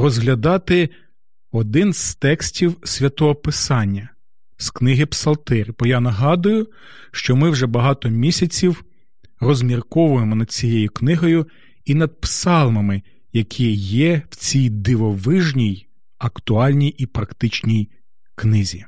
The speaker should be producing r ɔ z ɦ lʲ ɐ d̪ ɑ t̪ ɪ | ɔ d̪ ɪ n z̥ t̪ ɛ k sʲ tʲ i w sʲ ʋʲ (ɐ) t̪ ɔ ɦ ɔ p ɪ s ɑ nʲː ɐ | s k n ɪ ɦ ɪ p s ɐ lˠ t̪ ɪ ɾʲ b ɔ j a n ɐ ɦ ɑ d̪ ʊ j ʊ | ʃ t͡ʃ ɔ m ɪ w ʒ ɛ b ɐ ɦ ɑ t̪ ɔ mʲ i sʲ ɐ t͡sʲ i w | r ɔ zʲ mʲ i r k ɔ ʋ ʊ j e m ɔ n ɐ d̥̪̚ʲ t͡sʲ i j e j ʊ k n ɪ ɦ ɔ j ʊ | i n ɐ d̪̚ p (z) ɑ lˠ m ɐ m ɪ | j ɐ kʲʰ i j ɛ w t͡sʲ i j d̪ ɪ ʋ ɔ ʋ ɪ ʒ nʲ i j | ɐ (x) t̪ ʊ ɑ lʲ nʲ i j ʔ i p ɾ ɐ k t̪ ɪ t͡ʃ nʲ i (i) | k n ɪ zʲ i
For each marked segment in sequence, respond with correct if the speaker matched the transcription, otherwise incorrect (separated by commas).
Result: correct, incorrect, incorrect, incorrect